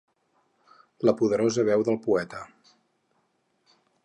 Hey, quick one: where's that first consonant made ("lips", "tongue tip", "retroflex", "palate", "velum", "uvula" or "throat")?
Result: tongue tip